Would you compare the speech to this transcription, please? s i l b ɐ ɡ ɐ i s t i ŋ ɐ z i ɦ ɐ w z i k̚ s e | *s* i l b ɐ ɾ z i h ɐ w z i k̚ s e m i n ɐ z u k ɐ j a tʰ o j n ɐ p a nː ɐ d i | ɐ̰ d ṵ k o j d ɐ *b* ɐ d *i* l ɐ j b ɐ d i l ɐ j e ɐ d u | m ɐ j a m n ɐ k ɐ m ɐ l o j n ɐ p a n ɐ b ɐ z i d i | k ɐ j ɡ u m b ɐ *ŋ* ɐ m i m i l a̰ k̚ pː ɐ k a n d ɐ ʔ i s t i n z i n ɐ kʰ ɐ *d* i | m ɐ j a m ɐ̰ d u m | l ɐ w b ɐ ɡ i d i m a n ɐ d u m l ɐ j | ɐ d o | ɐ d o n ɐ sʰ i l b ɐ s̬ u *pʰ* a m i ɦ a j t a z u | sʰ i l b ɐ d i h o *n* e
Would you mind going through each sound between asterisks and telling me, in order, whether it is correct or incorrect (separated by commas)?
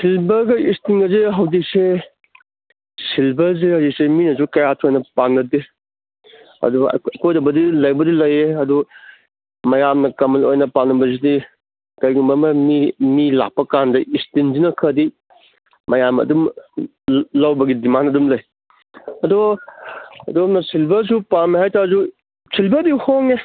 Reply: correct, correct, correct, incorrect, correct, incorrect, incorrect